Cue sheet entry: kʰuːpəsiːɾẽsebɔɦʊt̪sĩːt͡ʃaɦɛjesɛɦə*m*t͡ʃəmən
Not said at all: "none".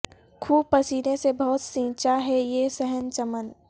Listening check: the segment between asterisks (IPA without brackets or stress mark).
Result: n